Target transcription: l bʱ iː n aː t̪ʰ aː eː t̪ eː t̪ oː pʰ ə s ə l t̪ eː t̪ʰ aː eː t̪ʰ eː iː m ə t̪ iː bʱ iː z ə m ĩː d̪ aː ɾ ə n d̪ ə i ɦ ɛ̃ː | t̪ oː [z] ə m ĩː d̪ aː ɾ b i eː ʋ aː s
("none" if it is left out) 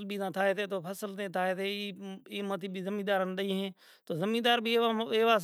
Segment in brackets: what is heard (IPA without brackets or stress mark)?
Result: z